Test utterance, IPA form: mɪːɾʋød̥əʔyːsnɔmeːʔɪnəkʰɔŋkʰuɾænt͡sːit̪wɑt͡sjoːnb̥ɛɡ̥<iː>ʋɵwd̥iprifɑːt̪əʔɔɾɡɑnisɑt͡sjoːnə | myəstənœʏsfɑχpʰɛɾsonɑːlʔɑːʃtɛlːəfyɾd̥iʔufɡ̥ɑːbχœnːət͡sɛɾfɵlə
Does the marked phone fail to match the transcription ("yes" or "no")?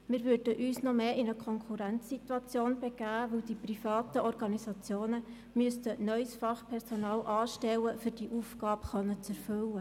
yes